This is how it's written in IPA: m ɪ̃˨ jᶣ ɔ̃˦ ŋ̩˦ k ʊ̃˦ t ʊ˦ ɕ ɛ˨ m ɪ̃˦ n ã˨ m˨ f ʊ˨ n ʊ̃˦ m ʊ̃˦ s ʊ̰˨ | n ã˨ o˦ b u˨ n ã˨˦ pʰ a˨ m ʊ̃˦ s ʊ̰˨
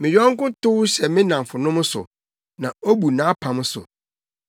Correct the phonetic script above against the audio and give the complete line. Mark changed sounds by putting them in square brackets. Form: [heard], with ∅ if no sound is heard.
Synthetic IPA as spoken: m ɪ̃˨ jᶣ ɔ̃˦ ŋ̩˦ k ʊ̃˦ t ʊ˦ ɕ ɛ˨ m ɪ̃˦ n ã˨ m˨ f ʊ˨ n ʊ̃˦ m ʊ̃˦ s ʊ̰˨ | n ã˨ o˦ b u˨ n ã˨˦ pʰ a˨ m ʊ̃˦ s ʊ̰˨